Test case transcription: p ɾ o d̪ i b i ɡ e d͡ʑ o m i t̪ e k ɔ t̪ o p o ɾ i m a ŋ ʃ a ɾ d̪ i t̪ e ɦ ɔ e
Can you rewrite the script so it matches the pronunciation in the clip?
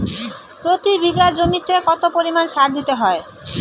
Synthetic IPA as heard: p ɾ o t̪ i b i ɡ a d͡ʑ o m i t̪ e k ɔ t̪ o p o ɾ i m a n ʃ a ɾ d̪ i t̪ e ɦ ɔ e